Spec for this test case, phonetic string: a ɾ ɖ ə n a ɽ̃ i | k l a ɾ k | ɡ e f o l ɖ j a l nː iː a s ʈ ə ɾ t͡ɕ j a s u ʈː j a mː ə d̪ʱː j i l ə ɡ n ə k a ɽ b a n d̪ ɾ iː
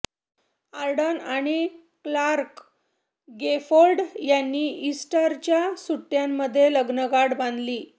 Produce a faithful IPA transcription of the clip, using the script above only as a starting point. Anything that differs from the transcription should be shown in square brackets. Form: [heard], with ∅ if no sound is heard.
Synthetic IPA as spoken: a ɾ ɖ ə n a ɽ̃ i | k l a ɾ k | ɡ e f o l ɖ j a [∅] nː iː [i] s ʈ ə ɾ t͡ɕ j a s u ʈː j a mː ə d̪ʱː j [e] l ə ɡ n ə [ɡ] a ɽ b a n d̪ [l] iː